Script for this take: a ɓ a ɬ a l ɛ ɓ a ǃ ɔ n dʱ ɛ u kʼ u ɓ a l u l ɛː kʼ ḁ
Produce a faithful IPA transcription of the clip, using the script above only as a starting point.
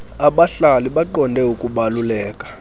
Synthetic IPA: a ɓ a ɬ a l i ɓ a ǃ ɔ n dʱ ɛ u kʼ u ɓ a l u l ɛː kʼ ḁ